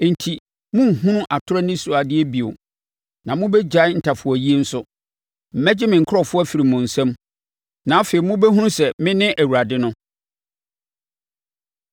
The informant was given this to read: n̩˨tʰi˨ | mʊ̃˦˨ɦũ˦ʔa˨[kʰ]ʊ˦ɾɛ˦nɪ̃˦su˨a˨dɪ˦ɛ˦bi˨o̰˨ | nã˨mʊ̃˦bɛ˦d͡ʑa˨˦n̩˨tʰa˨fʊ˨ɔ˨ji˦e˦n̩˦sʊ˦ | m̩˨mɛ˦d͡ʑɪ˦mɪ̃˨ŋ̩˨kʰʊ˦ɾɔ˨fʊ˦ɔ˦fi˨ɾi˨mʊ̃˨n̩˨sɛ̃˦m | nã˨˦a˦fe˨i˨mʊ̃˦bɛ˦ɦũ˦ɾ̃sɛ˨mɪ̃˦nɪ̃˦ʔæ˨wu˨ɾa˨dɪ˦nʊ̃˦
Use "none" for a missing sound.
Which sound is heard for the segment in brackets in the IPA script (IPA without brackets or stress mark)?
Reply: tʰ